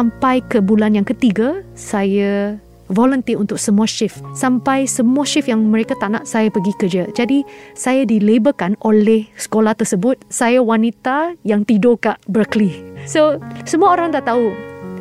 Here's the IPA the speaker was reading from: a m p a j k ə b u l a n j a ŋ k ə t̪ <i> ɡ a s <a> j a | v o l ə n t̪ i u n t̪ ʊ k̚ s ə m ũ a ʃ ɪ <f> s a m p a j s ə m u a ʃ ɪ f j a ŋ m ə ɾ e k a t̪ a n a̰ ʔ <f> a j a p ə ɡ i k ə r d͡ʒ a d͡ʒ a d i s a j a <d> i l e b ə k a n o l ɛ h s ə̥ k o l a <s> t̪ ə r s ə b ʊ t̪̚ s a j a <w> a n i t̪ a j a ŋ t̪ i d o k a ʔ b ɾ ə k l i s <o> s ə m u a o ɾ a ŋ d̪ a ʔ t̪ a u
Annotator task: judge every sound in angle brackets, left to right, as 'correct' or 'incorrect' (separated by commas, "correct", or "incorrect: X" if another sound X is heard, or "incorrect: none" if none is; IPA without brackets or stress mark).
correct, correct, correct, incorrect: s, correct, incorrect: h, correct, correct